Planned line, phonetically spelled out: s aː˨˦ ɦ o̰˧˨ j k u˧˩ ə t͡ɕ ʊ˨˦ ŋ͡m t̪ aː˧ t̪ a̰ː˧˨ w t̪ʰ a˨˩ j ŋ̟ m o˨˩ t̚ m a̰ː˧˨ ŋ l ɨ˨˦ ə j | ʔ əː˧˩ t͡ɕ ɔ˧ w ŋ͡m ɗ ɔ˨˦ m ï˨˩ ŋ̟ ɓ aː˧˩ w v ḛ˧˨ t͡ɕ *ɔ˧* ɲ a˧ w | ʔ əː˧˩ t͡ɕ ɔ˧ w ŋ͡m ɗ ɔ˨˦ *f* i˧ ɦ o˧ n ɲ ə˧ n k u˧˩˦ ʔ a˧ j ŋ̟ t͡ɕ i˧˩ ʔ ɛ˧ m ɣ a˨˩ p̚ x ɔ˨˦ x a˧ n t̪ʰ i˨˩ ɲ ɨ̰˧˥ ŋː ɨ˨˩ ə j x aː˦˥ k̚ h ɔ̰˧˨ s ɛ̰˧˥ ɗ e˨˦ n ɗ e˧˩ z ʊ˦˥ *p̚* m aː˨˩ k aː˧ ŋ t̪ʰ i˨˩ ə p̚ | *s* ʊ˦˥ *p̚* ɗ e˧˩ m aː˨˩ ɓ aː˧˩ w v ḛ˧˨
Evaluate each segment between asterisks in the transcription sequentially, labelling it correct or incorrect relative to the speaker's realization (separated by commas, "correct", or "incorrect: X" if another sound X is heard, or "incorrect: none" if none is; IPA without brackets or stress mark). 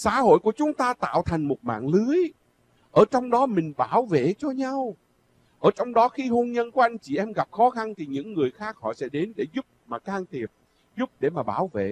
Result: correct, incorrect: x, correct, incorrect: z, correct